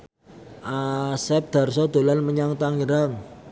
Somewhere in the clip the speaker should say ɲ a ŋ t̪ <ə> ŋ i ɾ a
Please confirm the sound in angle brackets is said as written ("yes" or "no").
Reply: no